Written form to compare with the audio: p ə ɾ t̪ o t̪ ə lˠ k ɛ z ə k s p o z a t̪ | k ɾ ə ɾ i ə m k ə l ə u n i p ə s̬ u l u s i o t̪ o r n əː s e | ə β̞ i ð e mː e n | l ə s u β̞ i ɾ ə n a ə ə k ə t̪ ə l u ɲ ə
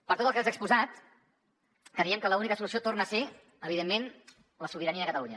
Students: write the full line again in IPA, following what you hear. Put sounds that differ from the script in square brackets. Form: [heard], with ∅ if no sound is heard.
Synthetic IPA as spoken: p ə ɾ t̪ o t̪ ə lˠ k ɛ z ə k s p [u] z a t̪ | k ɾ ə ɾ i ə m k ə l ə u n i [k] ə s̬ u l u s i o t̪ o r n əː s e | ə β̞ i ð e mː e n | l ə s u β̞ i ɾ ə n [i] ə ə k ə t̪ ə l u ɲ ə